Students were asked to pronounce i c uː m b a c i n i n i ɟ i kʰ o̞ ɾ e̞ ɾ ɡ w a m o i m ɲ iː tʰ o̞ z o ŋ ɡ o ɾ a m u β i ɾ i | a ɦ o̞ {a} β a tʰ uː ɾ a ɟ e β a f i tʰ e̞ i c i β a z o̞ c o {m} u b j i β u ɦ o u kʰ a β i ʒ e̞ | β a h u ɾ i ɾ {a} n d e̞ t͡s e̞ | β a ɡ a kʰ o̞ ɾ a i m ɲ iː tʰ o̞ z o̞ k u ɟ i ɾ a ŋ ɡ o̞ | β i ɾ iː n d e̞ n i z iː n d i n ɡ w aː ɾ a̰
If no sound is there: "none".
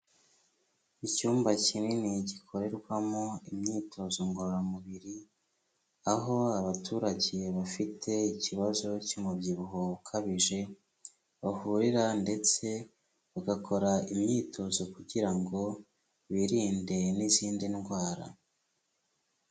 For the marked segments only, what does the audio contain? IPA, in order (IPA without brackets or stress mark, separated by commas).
a, m, a